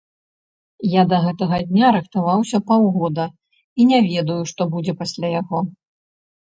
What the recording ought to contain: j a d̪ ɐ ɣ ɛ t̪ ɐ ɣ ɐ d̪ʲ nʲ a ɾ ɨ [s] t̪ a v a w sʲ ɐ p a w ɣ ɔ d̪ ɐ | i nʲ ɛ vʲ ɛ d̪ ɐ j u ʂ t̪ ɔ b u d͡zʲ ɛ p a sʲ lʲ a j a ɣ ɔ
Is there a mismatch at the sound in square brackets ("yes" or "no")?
yes